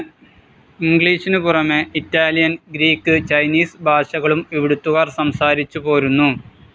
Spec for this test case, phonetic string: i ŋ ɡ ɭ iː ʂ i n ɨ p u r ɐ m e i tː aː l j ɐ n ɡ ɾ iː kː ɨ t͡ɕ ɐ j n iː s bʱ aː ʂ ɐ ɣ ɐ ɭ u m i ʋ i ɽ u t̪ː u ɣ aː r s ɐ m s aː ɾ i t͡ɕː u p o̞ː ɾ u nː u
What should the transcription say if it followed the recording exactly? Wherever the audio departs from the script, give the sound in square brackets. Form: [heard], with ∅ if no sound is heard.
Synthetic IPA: i ŋ ɡ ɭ iː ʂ i n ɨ p u r ɐ m e i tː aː l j ɐ n ɡ ɾ iː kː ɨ t͡ɕ ɐ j n iː s bʱ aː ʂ ɐ ɣ ɐ ɭ u m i ʋ i ɽ u t̪ː u ɣ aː r s ɐ m s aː ɾ i t͡ɕː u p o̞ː ɾ u nː u